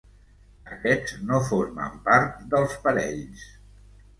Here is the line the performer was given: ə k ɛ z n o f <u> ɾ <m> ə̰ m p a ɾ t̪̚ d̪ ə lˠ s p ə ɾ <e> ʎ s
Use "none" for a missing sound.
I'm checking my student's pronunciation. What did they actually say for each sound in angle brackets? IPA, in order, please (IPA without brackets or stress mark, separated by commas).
o, m, ɛ